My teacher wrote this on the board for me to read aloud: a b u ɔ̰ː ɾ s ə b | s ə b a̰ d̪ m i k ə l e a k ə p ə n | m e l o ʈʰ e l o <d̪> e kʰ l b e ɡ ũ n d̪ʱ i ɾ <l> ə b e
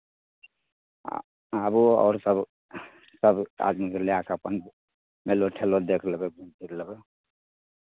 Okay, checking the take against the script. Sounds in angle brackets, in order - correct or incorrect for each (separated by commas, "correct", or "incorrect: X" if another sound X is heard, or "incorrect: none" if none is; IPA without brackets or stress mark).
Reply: correct, correct